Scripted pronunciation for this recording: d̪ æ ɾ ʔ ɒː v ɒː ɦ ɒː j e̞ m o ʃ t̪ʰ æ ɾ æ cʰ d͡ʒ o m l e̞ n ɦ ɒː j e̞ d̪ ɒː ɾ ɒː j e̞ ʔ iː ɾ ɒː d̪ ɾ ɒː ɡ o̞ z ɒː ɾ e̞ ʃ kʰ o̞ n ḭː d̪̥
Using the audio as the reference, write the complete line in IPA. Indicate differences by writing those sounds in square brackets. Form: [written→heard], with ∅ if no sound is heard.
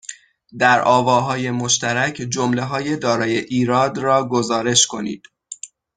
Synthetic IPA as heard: d̪ æ ɾ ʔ ɒː v ɒː ɦ ɒː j e̞ m o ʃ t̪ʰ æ ɾ æ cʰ d͡ʒ o m l e̞ [n→∅] ɦ ɒː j e̞ d̪ ɒː ɾ ɒː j e̞ ʔ iː ɾ ɒː d̪ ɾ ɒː ɡ o̞ z ɒː ɾ e̞ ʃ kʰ o̞ n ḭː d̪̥